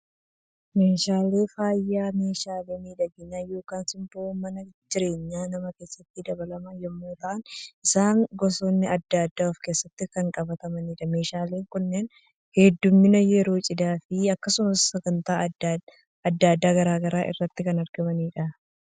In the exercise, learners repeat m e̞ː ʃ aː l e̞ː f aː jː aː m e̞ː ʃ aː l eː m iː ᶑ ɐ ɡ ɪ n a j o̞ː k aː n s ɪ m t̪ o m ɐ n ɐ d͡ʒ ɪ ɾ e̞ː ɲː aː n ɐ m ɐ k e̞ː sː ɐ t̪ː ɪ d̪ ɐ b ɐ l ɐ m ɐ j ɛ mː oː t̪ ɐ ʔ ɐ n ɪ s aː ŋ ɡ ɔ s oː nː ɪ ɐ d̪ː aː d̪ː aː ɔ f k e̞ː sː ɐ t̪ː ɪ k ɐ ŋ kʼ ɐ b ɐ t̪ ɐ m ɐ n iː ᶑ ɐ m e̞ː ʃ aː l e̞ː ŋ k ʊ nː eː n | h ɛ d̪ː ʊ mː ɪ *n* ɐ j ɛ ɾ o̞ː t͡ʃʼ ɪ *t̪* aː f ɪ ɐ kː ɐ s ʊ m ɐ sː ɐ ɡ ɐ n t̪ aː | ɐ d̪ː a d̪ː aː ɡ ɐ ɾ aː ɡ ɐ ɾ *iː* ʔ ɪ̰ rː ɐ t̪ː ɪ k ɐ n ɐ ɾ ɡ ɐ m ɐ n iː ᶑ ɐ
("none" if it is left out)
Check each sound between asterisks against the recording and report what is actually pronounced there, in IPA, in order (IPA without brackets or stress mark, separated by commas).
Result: n, d̪, aː